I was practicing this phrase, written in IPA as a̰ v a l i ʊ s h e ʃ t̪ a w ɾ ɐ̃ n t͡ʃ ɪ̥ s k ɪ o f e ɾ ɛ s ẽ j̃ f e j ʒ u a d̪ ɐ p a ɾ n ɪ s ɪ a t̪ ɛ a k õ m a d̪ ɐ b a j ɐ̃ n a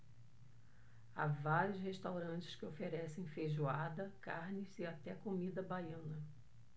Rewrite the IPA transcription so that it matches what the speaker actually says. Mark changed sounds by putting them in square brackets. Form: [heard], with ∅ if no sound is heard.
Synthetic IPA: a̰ v a [ɾ] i ʊ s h e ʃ t̪ a w ɾ ɐ̃ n t͡ʃ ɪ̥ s k ɪ o f e ɾ ɛ s ẽ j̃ f e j ʒ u a d̪ ɐ [k] a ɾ n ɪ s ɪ a t̪ ɛ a k [o] m [i] d̪ ɐ b a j ɐ̃ n [ɐ]